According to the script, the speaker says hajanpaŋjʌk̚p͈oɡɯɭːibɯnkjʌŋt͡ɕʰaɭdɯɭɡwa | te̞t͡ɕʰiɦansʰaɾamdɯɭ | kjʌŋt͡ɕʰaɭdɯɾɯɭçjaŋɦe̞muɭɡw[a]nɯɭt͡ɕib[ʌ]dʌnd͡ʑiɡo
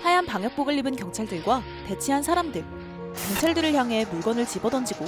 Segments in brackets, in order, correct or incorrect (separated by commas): incorrect, correct